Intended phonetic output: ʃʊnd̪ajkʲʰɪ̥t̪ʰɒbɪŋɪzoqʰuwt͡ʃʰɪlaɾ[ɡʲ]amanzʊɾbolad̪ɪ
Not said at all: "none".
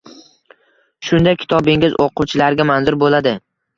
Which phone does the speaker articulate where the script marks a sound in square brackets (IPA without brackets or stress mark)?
ɡʲ